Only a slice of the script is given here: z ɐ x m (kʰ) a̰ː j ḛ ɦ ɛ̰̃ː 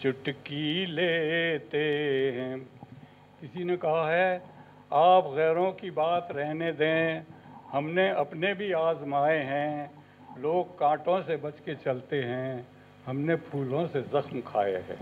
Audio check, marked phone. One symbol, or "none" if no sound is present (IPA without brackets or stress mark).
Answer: kʰ